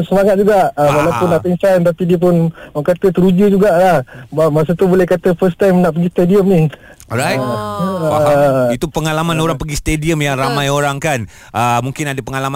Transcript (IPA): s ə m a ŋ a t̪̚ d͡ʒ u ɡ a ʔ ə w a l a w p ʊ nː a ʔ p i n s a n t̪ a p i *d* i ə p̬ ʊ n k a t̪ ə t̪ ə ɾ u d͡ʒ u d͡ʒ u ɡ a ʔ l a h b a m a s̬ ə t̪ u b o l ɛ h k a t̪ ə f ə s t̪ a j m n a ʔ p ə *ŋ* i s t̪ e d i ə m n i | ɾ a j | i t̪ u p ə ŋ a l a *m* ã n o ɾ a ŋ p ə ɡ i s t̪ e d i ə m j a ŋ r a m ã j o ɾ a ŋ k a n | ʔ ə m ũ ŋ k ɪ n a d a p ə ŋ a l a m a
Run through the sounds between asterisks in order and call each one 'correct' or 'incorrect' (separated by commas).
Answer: correct, incorrect, correct